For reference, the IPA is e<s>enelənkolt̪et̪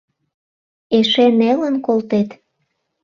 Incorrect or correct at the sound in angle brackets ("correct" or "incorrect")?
incorrect